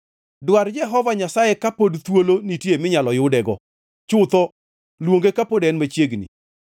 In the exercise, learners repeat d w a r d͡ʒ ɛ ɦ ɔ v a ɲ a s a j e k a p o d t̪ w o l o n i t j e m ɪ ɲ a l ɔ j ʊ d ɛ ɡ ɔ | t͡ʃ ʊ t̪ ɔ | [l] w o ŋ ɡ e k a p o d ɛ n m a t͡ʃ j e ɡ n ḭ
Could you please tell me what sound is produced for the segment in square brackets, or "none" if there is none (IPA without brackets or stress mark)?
l